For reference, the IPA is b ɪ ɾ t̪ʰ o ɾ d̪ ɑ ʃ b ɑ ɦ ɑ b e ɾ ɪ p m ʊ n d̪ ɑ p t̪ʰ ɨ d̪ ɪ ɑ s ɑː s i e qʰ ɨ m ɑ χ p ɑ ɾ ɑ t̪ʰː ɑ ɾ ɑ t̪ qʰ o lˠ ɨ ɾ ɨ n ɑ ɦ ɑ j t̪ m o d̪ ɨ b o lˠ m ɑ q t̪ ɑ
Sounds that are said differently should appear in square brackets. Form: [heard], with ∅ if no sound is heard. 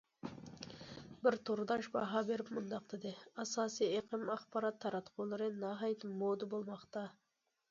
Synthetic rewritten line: b ɪ ɾ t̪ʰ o ɾ d̪ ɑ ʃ b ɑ ɦ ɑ b e ɾ ɪ p m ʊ n d̪ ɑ [q] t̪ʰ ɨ d̪ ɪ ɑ s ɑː s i e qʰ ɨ m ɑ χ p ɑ ɾ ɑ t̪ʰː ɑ ɾ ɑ t̪ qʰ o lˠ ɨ ɾ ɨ n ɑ ɦ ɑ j t̪ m o d̪ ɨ b o lˠ m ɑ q t̪ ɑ